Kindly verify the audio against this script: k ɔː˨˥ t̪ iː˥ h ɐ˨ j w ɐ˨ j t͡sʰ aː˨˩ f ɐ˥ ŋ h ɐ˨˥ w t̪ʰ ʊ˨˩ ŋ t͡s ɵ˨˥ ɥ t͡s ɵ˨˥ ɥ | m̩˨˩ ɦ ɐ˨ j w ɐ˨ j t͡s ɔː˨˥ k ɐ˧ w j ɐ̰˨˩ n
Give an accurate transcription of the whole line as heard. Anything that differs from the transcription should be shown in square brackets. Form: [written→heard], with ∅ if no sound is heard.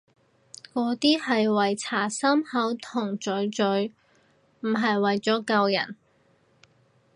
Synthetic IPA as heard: k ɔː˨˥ t̪ iː˥ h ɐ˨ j w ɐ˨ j t͡sʰ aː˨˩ [f→s] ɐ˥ [ŋ→m] h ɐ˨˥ w t̪ʰ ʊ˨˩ ŋ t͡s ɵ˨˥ ɥ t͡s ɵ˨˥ ɥ | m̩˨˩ ɦ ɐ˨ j w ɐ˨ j t͡s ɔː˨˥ k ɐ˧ w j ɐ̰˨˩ n